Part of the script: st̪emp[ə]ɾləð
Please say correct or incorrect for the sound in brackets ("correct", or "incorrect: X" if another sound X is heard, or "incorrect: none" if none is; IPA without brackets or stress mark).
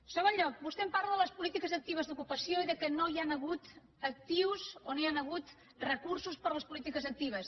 incorrect: a